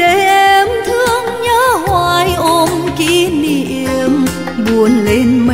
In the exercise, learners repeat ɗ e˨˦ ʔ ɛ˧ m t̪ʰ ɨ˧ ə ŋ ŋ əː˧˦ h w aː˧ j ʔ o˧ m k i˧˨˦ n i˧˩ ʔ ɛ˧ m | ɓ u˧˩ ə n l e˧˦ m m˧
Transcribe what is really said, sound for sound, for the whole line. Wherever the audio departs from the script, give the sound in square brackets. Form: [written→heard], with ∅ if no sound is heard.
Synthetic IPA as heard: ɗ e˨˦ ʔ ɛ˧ m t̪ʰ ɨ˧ ə ŋ [ŋ→ɲ] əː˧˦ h w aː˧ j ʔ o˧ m k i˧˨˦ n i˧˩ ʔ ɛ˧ m | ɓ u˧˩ ə n l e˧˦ [m→n] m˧